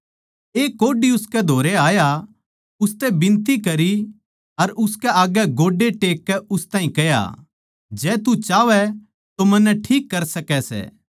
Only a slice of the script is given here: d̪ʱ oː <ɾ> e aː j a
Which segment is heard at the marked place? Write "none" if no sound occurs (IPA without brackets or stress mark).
ɾ